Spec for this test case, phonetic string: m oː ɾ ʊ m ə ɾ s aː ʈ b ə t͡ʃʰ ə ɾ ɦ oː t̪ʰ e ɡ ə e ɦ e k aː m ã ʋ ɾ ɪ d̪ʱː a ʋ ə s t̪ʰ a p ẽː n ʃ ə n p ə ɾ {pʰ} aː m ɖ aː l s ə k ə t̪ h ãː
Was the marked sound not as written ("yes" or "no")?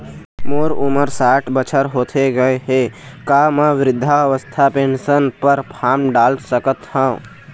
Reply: no